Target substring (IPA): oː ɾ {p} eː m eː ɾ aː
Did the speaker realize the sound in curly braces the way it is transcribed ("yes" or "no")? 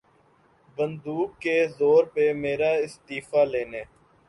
yes